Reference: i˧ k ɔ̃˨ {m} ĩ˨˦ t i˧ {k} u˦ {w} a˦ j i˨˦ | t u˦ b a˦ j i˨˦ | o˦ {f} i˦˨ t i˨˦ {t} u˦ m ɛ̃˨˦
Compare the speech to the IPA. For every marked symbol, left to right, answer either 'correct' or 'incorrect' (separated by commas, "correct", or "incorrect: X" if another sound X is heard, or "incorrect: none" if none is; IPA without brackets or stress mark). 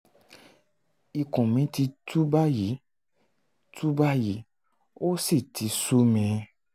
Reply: correct, incorrect: t, incorrect: b, incorrect: s, incorrect: s